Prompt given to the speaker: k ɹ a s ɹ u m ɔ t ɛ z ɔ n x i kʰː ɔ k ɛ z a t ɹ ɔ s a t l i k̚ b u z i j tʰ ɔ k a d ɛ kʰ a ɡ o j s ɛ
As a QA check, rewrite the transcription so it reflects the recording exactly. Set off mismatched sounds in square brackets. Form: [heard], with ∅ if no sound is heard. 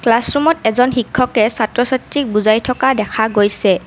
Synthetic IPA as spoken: k [l] a s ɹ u m ɔ t ɛ z ɔ n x i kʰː ɔ k ɛ [s] a t ɹ ɔ s a t [ɹ] i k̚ b u z [a] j tʰ ɔ k a d ɛ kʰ a ɡ o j s ɛ